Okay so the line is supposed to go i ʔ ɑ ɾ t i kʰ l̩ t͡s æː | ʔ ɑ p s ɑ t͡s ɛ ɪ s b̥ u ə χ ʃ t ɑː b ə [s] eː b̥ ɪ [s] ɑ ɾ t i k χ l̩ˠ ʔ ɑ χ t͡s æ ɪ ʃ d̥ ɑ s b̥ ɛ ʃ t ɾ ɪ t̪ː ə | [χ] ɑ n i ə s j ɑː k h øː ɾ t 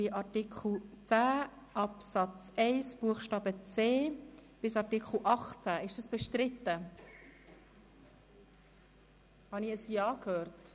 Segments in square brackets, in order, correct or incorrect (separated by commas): incorrect, correct, incorrect